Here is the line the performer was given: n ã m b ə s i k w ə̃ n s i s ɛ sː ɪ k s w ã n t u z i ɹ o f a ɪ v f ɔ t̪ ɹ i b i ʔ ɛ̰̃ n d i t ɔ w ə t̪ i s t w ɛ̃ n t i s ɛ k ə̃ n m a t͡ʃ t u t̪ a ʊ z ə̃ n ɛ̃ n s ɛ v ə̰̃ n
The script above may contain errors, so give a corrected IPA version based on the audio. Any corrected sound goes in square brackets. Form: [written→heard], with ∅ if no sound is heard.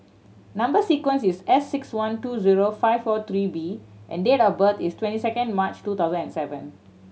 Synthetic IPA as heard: n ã m b ə s i k w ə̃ n s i s ɛ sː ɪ k s w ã n t u z i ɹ o f a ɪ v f ɔ t̪ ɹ i b i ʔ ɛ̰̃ n d [i→e] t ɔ [w→b] ə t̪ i s t w ɛ̃ n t i s ɛ k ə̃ n m a t͡ʃ t u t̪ a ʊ z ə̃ n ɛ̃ n s ɛ v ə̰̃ n

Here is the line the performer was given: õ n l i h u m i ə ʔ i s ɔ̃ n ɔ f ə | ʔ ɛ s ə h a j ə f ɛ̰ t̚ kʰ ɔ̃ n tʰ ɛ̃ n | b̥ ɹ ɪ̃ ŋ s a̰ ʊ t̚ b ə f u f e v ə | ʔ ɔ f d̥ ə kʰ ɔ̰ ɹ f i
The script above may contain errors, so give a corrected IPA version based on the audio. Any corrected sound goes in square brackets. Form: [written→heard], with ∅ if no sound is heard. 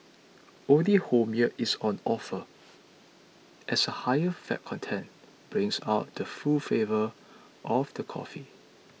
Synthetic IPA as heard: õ n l i h [u→o] m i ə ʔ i s ɔ̃ n ɔ f ə | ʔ ɛ s ə h a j ə f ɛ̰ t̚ kʰ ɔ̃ n tʰ ɛ̃ n | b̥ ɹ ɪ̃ ŋ s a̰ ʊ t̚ [b→d] ə f u f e v ə | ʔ ɔ f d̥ ə kʰ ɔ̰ [ɹ→∅] f i

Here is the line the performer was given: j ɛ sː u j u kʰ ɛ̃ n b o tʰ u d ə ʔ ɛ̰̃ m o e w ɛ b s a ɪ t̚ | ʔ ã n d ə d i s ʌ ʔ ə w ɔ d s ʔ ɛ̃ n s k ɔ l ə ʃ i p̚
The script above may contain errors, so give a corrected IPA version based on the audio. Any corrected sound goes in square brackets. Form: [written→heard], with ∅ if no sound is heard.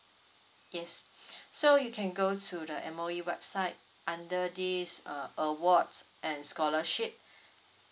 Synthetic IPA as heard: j ɛ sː [u→o] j u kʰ ɛ̃ n [b→ɡ] o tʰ u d ə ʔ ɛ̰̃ m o [e→i] w ɛ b s a ɪ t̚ | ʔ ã n d ə d i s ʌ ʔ ə w ɔ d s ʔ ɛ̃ n s k ɔ l ə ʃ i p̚

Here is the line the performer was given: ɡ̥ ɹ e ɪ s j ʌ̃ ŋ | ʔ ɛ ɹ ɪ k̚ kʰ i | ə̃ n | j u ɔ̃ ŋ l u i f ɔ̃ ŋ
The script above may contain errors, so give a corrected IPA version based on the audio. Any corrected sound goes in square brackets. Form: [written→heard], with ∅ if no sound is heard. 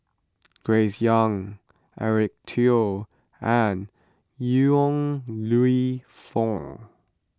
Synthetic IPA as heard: ɡ̥ ɹ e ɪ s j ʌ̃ ŋ | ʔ ɛ ɹ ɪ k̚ [kʰ→tʰ] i | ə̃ n | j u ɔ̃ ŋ l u i f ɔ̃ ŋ

